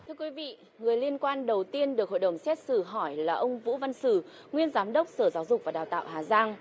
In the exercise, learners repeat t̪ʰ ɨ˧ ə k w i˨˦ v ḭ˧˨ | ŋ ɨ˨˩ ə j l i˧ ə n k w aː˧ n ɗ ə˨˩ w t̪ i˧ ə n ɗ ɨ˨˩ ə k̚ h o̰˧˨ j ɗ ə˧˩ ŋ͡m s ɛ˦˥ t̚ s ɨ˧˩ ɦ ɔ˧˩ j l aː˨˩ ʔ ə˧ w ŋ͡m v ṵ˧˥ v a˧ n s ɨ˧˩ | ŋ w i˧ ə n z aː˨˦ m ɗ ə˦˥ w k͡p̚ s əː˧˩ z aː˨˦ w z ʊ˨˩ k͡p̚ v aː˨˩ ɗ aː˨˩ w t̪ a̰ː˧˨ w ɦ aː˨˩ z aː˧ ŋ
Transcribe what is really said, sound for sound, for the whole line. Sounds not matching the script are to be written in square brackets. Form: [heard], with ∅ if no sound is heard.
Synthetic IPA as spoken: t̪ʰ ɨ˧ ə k w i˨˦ v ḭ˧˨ | ŋ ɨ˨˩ ə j l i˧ ə n k w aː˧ n ɗ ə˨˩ w t̪ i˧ ə n ɗ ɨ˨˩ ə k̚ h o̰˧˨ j ɗ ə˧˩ ŋ͡m s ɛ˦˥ t̚ s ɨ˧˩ ɦ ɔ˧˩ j l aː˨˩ ʔ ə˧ w ŋ͡m v ṵ˧˥ v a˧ n s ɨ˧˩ | ŋ w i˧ ə n z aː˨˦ m ɗ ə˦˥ w k͡p̚ s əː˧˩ z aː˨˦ w z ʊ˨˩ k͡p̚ v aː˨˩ ɗ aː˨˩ w t̪ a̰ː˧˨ w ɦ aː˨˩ z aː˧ ŋ